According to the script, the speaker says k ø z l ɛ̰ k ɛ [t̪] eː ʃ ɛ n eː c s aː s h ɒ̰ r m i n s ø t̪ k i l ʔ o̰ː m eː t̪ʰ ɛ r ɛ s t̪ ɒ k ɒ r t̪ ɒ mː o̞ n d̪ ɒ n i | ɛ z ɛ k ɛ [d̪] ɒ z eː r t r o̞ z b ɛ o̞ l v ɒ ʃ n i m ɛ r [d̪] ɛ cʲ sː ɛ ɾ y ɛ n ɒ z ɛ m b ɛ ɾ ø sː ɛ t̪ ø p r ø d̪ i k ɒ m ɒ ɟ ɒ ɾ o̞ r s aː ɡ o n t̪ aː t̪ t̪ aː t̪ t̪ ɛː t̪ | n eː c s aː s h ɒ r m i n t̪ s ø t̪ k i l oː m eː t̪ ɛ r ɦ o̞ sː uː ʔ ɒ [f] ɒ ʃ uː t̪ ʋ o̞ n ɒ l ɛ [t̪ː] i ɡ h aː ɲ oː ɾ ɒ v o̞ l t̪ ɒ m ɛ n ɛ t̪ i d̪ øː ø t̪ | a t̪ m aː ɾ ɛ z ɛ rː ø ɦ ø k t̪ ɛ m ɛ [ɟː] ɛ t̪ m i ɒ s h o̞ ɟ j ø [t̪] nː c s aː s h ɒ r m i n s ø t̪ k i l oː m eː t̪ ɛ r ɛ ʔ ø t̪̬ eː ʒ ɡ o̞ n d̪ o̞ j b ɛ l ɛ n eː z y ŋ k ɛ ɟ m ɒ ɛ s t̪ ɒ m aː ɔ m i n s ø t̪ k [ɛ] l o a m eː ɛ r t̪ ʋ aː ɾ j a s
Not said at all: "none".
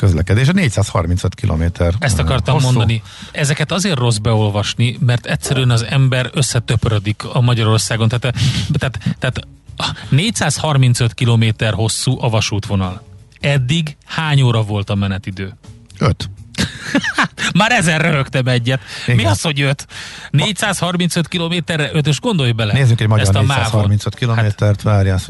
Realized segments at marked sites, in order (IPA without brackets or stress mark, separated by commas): d̪, t̪, t̪, v, d̪ː, ɟː, t̪, i